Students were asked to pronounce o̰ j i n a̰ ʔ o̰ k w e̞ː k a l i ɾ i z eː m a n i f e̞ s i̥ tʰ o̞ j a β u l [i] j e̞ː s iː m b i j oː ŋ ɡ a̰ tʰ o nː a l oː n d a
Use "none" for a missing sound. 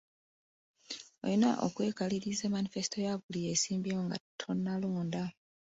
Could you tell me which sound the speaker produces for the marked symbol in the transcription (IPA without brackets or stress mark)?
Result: i